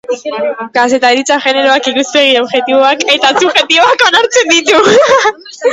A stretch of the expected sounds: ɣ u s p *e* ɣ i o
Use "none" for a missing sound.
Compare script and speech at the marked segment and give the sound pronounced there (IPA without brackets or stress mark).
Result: e